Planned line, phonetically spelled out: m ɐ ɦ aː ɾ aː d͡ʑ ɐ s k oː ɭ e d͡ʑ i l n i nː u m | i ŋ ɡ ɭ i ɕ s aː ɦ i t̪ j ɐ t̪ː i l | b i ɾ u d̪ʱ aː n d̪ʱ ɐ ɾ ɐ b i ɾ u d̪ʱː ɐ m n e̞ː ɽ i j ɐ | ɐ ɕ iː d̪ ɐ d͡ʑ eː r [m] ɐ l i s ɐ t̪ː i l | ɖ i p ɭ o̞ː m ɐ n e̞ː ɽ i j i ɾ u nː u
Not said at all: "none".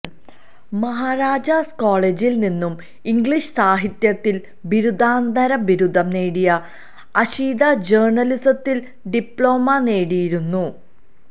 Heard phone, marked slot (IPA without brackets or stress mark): ɳ